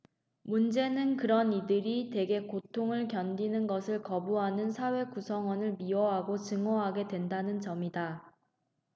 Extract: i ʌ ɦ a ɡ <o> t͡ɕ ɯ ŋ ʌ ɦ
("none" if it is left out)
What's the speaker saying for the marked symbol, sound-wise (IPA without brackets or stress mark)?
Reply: o